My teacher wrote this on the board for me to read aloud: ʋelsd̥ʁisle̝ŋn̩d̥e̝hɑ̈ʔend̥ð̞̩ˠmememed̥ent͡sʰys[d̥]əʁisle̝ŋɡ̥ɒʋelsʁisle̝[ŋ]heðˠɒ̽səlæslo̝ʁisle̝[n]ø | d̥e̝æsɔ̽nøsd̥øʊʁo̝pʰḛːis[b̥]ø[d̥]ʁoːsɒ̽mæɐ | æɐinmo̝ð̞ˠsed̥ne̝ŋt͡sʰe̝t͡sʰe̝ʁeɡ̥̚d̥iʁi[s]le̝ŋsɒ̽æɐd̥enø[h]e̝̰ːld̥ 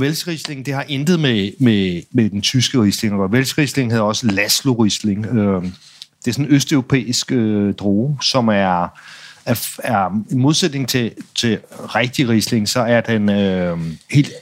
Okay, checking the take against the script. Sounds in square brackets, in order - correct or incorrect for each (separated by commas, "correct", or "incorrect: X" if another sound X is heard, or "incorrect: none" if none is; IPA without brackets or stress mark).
incorrect: ɡ̥, correct, incorrect: ŋ, incorrect: ɡ̥, correct, correct, correct